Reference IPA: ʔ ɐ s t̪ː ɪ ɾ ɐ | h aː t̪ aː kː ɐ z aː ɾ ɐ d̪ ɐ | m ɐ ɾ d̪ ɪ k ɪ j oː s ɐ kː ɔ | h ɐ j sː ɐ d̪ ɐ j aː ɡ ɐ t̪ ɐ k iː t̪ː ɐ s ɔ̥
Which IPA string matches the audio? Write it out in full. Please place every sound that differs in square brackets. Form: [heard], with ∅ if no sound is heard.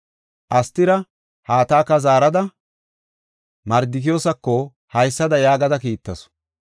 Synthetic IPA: ʔ ɐ s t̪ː ɪ ɾ ɐ | h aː t̪ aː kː ɐ z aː ɾ ɐ d̪ ɐ | m ɐ ɾ d̪ ɪ k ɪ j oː s ɐ kː ɔ | h ɐ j sː ɐ d̪ ɐ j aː ɡ ɐ [d̪] ɐ k iː t̪ː ɐ s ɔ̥